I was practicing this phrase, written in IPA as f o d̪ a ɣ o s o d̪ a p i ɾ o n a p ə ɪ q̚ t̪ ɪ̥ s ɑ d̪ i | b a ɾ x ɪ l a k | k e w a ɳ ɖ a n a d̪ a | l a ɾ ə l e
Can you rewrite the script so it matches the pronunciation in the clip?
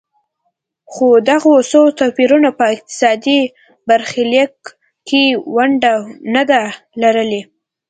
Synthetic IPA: x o d̪ a ɣ o s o t̪ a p i ɾ u n a p ə ɪ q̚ t̪ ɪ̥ s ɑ d̪ i | b a ɾ x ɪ l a k | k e w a ɳ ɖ a n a d̪ a | l a ɾ ə l e